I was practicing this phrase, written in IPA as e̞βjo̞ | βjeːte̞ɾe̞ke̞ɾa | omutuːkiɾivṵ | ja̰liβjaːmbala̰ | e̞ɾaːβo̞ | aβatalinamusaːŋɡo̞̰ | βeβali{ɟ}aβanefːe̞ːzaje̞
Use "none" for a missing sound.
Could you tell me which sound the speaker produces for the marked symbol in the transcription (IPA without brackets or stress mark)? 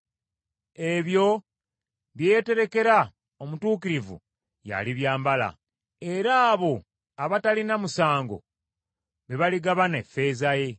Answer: ɡ